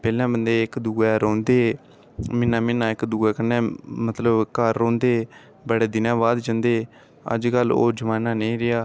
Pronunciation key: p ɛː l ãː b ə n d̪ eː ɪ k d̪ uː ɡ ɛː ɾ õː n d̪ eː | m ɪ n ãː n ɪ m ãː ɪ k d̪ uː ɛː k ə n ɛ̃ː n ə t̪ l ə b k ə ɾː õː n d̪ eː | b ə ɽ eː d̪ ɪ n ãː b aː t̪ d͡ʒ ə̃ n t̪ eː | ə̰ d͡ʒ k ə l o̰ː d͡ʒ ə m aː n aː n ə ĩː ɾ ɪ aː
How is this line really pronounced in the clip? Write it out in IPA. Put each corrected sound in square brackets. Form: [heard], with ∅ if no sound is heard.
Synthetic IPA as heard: p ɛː l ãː b ə n d̪ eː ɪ k d̪ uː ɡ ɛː ɾ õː n d̪ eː | m ɪ n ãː [m] ɪ [n] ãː ɪ k d̪ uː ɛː k ə n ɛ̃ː [m] ə t̪ l ə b k ə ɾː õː n d̪ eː | b ə ɽ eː d̪ ɪ n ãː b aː [d̪] d͡ʒ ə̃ n [d̪] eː | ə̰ d͡ʒ k ə l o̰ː d͡ʒ ə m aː n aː n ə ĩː ɾ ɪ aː